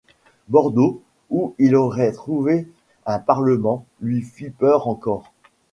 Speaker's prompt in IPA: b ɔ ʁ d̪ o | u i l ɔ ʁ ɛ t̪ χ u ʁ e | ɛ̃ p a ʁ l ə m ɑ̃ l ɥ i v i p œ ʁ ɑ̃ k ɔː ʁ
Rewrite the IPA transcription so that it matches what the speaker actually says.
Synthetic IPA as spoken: b ɔ ʁ d̪ o | u i l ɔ ʁ ɛ t̪ χ u v e | ɛ̃ p a ʁ l ə m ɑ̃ l ɥ i f i p œ ʁ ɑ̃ k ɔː ʁ